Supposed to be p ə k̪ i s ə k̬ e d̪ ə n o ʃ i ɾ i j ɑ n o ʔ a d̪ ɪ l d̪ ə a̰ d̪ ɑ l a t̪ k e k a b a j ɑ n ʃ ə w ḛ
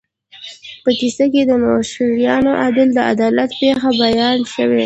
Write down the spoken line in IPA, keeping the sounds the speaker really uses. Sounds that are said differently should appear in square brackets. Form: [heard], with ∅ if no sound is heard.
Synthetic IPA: p ə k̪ i s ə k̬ e d̪ ə n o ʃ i ɾ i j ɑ n o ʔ a d̪ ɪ l d̪ ə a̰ d̪ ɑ l a t̪ [p] e [x] a b a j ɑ n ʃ ə w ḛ